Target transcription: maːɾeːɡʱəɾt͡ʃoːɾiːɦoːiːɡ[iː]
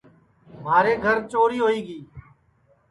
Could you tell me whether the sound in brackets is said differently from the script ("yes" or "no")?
no